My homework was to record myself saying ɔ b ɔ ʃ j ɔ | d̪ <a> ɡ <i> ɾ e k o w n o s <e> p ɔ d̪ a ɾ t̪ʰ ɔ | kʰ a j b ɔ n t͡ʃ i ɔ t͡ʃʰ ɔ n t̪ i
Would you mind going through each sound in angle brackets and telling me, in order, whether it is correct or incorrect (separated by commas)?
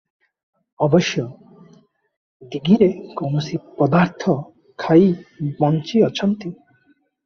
incorrect, correct, incorrect